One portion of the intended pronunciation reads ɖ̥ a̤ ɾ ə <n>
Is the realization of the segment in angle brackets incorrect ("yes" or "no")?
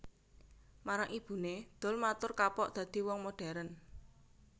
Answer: no